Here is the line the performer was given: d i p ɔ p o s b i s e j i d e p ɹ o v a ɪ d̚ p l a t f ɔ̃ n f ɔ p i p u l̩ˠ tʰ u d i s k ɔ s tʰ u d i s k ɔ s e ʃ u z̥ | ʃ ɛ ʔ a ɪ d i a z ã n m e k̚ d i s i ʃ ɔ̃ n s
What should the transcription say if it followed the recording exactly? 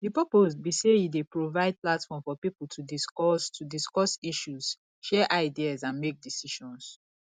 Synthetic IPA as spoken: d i p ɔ p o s b i s e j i d e p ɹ o v a ɪ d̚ p l a t f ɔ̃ m f ɔ p i p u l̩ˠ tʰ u d i s k ɔ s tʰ u d i s k ɔ s i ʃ u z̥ | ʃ ɛ ʔ a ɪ d i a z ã n m e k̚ d i s i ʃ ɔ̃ n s